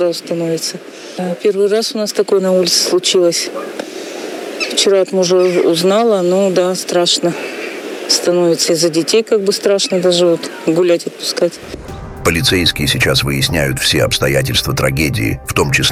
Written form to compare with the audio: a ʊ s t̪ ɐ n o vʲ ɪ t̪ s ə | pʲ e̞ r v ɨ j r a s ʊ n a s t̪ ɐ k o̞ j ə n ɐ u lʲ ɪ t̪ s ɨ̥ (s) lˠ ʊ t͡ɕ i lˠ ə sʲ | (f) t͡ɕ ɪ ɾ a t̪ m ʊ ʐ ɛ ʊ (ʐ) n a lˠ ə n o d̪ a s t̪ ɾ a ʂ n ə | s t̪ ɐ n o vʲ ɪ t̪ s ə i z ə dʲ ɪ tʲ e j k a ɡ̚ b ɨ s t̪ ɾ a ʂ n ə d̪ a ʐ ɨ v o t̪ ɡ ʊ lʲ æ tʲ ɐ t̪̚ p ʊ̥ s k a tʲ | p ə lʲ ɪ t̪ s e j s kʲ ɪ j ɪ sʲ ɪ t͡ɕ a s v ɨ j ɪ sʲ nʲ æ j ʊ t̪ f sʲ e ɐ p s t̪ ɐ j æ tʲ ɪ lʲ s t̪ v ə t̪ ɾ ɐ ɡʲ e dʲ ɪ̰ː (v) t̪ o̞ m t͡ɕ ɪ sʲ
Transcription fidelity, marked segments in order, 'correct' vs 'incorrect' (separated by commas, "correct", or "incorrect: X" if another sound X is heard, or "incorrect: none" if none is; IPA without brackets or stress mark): correct, correct, incorrect: z, incorrect: f